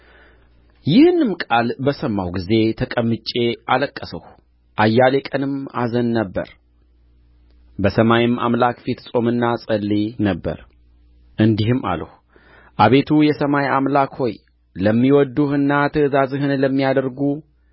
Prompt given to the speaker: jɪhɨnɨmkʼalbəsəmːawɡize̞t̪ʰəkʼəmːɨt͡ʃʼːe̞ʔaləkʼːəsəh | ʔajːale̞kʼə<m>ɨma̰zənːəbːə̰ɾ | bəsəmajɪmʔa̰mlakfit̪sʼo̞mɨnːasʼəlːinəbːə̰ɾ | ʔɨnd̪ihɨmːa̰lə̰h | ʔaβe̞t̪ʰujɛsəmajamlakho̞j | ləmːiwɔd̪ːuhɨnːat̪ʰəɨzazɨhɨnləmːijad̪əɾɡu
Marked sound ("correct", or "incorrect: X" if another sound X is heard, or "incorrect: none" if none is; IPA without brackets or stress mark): incorrect: n